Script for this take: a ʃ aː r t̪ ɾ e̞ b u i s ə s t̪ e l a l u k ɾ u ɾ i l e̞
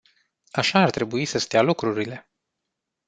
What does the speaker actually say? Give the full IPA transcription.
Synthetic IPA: a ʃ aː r t̪ ɾ e̞ b u i s ə s t̪ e a l u k ɾ u ɾ i l e̞